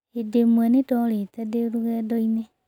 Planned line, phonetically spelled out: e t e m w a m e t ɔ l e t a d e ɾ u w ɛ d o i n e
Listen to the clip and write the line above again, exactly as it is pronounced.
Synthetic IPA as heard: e d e m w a n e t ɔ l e t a d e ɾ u ɣ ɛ d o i n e